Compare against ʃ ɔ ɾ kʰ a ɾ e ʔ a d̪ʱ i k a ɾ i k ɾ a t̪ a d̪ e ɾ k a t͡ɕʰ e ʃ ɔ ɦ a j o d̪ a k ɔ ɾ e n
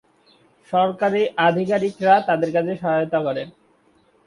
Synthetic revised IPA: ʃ ɔ ɾ k a ɾ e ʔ a d̪ʱ i k a ɾ i k ɾ a t̪ a d̪ e ɾ k a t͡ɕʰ e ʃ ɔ ɦ a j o t̪ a k ɔ ɾ e n